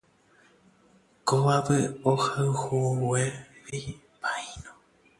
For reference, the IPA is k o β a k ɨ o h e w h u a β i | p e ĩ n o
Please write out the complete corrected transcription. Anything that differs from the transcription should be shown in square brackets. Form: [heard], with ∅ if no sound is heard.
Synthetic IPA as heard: k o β a [p] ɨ o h [a] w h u [e] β i | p [a] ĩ n o